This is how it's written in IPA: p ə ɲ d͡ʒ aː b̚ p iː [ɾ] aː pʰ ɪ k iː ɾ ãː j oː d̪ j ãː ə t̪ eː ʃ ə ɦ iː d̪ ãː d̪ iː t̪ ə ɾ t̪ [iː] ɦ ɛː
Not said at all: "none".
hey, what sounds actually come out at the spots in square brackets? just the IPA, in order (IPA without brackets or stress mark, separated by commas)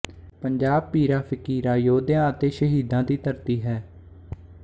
ɾ, iː